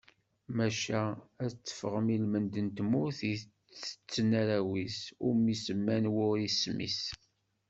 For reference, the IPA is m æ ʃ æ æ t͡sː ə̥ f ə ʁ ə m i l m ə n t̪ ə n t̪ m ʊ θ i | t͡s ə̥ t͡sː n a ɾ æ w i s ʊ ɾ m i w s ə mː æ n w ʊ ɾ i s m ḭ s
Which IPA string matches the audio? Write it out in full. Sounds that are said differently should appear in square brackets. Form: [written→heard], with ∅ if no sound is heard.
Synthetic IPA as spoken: m æ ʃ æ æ t͡sː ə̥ f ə ʁ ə m i l m ə n [t̪→d̪] ə n t̪ m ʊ θ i | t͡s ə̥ t͡sː n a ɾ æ w i s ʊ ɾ m i [w→∅] s ə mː æ n w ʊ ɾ i s m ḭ s